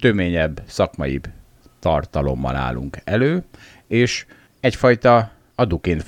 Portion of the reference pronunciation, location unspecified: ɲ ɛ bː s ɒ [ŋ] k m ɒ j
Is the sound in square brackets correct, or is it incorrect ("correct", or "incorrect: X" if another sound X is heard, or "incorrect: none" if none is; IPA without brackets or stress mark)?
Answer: incorrect: none